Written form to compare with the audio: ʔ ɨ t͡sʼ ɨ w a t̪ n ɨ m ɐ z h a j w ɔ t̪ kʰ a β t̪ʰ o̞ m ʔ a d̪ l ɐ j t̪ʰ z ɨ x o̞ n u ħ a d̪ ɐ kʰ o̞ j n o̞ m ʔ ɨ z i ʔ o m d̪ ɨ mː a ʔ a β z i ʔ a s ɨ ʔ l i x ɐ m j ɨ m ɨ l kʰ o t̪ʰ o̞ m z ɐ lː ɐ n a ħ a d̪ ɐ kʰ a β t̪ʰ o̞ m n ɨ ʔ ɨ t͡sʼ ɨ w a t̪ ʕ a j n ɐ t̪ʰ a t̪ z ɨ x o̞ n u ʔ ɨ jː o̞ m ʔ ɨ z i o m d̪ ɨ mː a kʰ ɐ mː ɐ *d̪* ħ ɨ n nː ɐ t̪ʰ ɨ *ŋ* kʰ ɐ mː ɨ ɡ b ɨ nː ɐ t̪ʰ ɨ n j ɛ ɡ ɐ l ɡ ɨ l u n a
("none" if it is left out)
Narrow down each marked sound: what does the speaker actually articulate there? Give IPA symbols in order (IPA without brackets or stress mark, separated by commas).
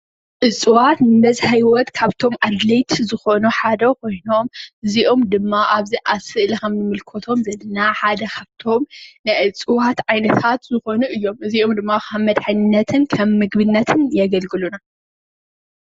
d̪, n